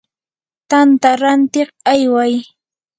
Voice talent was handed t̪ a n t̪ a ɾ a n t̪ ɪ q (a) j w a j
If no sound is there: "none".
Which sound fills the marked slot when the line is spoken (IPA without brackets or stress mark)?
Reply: a